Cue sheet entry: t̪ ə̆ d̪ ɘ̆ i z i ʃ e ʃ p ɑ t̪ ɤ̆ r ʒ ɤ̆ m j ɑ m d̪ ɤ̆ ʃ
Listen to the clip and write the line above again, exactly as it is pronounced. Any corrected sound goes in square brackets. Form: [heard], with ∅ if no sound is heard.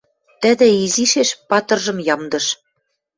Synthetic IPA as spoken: t̪ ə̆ d̪ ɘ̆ i z i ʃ e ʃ p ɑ t̪ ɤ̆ r ʒ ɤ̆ m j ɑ m d̪ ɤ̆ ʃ